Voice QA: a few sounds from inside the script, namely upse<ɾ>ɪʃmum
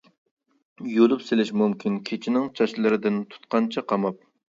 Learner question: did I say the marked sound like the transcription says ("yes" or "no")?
no